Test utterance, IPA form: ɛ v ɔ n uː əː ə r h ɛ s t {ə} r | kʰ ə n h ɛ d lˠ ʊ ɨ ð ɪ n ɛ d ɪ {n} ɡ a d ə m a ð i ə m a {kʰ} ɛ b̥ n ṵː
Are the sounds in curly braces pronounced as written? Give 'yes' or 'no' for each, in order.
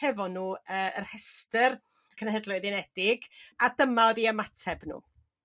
yes, no, no

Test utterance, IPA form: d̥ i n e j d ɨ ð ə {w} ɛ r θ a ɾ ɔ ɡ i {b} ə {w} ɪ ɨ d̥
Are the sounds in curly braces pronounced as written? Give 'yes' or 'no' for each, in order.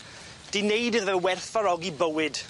yes, yes, yes

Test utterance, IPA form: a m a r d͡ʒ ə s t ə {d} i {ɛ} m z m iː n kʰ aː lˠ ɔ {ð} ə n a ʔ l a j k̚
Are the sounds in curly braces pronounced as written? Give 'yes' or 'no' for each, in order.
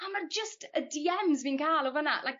yes, yes, no

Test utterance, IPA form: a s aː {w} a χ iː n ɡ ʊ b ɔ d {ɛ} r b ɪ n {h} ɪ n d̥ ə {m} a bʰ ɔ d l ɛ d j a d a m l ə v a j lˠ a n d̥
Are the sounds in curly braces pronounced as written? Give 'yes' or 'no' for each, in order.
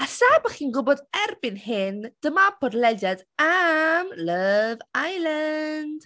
no, yes, yes, yes

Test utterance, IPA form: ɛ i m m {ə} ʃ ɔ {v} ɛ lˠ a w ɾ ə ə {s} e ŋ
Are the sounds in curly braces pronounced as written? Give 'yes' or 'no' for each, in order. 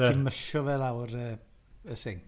yes, yes, yes

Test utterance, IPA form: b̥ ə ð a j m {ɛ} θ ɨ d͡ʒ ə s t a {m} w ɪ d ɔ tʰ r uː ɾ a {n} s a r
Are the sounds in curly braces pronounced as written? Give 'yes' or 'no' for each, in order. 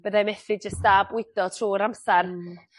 yes, no, no

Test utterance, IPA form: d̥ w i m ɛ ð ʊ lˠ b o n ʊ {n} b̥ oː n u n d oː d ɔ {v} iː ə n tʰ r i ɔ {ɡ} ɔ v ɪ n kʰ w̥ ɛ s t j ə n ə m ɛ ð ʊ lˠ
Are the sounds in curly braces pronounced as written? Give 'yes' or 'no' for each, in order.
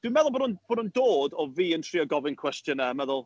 yes, yes, yes

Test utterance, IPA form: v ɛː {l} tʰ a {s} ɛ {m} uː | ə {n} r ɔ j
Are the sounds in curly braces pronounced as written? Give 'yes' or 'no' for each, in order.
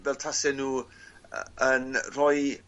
yes, yes, no, yes

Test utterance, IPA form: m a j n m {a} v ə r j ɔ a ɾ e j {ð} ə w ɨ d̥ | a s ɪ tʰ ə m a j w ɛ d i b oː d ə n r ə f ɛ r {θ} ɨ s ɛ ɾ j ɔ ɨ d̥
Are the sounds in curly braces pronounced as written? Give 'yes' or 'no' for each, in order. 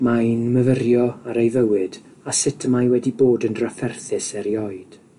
no, no, yes

